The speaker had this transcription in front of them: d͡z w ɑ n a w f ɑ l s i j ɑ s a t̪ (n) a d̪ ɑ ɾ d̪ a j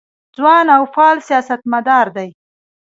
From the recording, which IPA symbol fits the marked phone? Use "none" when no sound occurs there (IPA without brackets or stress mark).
m